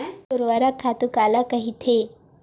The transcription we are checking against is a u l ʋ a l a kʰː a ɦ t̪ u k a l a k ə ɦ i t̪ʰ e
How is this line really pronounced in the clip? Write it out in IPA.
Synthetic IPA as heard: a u ɾ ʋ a ɾ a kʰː a t̪ u k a l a k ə ɦ i t̪ʰ e